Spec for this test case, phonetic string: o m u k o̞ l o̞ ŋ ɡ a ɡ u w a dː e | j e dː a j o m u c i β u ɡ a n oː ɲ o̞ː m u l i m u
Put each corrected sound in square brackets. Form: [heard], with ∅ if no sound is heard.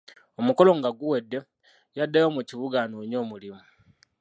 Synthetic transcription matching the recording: o m u k o̞ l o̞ ŋ ɡ a ɡ u w [e] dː e | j [a] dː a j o m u c i β u ɡ a n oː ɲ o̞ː m u l i m u